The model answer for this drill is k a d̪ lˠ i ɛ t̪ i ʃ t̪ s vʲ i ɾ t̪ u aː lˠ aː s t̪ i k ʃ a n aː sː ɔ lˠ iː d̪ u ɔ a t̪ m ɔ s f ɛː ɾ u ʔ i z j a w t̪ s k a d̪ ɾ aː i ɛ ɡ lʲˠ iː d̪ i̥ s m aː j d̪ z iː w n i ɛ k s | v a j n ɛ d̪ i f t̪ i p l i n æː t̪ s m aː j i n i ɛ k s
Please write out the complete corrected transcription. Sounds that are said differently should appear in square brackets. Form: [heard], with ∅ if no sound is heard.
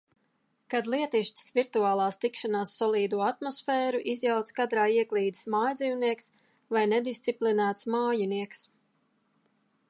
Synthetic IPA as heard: k a d̪ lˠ i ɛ t̪ i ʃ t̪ s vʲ i ɾ t̪ u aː lˠ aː s t̪ i k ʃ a n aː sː ɔ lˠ iː d̪ u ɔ a t̪ m ɔ s f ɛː ɾ u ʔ i z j a w t̪ s k a d̪ ɾ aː i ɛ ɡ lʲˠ iː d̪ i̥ s m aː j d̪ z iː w n i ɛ k s | v a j n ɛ d̪ i [s] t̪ i p l i n æː t̪ s m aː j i n i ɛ k s